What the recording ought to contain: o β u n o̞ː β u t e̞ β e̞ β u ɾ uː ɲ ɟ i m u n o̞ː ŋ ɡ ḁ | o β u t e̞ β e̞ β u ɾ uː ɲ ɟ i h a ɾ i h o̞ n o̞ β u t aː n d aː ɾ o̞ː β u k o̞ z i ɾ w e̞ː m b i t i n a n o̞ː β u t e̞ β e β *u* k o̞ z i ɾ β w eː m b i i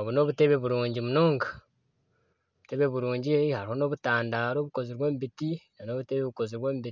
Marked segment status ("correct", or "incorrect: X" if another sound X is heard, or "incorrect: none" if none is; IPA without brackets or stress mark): correct